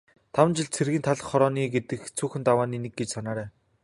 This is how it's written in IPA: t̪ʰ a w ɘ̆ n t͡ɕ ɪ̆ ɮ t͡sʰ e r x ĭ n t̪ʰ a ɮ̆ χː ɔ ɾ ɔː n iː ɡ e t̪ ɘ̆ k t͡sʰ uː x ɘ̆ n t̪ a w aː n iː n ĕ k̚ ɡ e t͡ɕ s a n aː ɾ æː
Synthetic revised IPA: t̪ʰ a w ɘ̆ n t͡ɕ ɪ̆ ɮ t͡sʰ e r ɣ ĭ n t̪ʰ a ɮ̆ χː ɔ ɾ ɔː n iː ɡ e t̪ ɘ̆ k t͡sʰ uː x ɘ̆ n t̪ a w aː n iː n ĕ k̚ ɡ e t͡ɕ s a n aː ɾ æː